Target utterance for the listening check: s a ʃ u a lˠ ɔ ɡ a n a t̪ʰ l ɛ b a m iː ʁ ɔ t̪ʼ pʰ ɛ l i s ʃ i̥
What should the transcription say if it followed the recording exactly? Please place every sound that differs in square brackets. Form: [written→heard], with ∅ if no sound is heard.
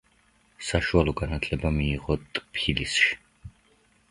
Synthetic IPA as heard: s a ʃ u a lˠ ɔ ɡ a n a t̪ʰ l ɛ b a m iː ʁ ɔ t̪ʼ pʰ [ɛ→i] l i s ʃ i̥